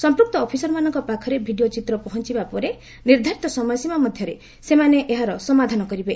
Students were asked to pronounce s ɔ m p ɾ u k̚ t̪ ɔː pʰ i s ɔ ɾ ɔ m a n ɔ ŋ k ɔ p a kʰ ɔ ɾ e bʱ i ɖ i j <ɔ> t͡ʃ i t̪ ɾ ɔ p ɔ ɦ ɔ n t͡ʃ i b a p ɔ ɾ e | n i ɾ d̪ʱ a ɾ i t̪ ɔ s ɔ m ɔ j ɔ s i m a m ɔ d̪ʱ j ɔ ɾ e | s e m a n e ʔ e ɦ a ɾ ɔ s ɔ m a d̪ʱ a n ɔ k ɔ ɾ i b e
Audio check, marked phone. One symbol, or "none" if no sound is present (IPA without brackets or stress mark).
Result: o